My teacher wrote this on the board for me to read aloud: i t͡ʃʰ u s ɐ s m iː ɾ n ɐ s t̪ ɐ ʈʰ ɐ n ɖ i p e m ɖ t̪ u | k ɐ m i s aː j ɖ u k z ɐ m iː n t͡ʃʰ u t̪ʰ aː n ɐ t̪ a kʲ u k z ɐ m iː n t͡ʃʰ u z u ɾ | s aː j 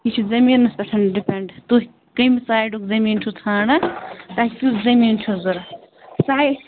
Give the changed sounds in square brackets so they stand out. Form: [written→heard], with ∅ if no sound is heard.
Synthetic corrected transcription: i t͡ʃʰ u [s→z] ɐ [s→∅] m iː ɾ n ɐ s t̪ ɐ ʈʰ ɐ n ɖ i p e [m→ɳ] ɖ t̪ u | k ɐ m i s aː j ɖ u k z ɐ m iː n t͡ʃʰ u t̪ʰ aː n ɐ t̪ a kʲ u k z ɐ m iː n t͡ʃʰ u z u ɾ | s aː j